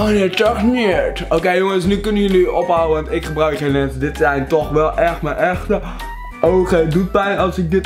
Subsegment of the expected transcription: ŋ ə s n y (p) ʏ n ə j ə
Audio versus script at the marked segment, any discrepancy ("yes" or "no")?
yes